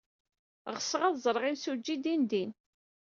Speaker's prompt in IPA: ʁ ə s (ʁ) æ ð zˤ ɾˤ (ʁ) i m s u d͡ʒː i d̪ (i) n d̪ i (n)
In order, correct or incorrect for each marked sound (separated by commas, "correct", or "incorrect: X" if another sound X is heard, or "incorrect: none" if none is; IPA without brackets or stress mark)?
correct, correct, correct, correct